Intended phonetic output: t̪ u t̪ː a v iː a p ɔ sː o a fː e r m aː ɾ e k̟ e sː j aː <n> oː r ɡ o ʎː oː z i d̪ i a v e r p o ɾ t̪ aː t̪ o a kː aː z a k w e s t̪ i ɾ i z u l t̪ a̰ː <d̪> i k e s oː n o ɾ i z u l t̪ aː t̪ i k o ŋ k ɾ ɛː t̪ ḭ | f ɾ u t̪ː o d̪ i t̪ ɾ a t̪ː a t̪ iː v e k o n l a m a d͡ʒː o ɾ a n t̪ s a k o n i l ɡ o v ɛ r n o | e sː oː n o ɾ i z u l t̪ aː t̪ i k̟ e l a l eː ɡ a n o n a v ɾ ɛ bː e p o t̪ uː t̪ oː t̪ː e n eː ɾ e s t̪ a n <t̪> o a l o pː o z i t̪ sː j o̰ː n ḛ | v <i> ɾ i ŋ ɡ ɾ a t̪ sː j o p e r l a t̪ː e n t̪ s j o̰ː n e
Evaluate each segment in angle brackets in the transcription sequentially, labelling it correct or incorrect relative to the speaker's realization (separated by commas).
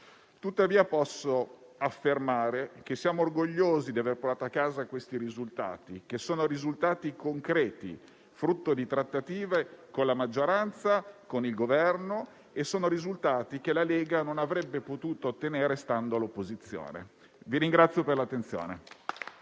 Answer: incorrect, incorrect, incorrect, correct